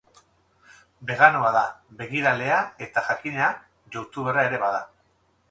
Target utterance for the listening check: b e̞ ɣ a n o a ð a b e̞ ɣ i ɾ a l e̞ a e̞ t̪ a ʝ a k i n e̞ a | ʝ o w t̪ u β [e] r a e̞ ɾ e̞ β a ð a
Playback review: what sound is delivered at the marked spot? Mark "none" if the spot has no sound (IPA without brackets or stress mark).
e